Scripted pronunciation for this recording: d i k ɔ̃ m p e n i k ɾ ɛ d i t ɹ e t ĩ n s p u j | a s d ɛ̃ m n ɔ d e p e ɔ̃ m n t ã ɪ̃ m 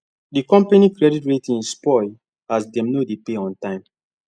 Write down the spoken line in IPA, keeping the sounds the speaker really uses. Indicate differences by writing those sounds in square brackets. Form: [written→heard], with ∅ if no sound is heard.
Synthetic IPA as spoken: d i k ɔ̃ m p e n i k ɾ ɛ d i t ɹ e t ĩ n s p [u→ɔ] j | a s d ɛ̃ m n [ɔ→o] d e p e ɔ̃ [m→∅] n t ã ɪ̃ m